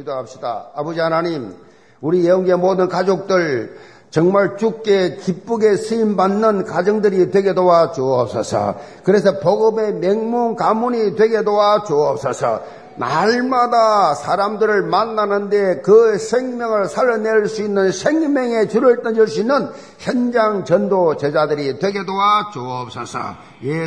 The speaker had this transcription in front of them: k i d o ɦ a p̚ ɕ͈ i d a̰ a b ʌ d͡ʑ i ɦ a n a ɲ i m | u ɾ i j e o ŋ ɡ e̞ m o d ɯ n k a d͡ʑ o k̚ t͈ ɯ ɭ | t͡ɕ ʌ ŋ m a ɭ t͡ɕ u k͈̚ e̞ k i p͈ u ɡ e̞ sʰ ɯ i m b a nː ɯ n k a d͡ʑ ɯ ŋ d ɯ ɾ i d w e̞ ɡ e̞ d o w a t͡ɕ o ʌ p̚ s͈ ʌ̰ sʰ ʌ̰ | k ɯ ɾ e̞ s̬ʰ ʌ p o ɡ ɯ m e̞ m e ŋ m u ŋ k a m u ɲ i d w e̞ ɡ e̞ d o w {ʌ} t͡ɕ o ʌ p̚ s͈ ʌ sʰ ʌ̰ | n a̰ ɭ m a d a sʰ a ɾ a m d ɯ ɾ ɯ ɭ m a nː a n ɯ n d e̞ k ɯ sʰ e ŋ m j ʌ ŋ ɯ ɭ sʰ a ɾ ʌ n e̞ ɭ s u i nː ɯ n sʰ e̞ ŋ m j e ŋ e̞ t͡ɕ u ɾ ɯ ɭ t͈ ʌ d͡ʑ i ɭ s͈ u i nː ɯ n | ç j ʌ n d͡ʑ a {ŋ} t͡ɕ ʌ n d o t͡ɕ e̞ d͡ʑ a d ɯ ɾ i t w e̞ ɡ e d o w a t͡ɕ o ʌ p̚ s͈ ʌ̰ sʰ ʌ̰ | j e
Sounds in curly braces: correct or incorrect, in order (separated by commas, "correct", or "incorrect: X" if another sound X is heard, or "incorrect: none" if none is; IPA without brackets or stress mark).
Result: incorrect: a, correct